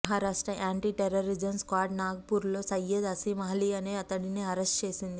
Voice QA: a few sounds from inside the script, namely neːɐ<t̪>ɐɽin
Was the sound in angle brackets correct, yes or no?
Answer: yes